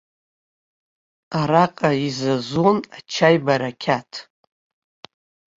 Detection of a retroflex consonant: absent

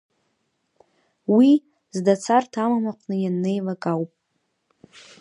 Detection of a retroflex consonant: absent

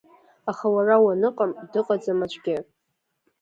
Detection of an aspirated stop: absent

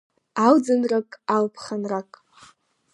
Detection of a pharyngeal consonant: absent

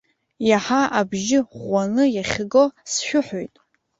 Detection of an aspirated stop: absent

